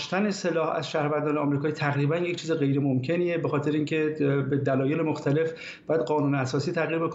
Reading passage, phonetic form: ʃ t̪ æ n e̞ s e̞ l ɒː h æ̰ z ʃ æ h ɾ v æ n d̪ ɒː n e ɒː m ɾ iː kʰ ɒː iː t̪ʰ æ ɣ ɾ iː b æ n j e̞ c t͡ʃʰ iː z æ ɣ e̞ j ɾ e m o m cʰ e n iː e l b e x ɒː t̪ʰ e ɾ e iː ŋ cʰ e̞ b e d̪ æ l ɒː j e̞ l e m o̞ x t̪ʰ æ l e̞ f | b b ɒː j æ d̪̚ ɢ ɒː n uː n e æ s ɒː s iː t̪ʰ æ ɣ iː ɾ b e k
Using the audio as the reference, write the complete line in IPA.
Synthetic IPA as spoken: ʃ t̪ æ n e̞ s e̞ l ɒː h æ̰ z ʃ æ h ɾ v æ n d̪ ɒː n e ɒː m ɾ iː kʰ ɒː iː t̪ʰ æ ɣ ɾ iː b æ n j e̞ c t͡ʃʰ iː z e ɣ e̞ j ɾ e m o m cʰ e n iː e b e x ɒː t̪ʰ e ɾ e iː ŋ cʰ e̞ b e d̪ æ l ɒː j e̞ l e m o̞ x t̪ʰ æ l e̞ f | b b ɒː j æ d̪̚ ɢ ɒː n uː n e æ s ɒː s iː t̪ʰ æ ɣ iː ɾ b e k